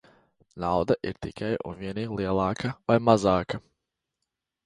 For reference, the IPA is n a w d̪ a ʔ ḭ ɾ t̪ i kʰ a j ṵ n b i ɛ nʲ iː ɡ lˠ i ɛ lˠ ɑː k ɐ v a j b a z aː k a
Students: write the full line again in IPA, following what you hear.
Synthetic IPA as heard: n a w d̪ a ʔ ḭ ɾ t̪ i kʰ a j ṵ n v i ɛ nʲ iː ɡ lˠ i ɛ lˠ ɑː k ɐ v a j m a z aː k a